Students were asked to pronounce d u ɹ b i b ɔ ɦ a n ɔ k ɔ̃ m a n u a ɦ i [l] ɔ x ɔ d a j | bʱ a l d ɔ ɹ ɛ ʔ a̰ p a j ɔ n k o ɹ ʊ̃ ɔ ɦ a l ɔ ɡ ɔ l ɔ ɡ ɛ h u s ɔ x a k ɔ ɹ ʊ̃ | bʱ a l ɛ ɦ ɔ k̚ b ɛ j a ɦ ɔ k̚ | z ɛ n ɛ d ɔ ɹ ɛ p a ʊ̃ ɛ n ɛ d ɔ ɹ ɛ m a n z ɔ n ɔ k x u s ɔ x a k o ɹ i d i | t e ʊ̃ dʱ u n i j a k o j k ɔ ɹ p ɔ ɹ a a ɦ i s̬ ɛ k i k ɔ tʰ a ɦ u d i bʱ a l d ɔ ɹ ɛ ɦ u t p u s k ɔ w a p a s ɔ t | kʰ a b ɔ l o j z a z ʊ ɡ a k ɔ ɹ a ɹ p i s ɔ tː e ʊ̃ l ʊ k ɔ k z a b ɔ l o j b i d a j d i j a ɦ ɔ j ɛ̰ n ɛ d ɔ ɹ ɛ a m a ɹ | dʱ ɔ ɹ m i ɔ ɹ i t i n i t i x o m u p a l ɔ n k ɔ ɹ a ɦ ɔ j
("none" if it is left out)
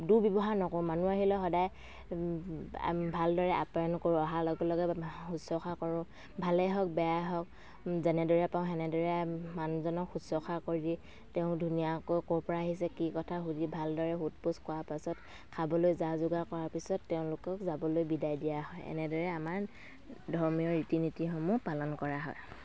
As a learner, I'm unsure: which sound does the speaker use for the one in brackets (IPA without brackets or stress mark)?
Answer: l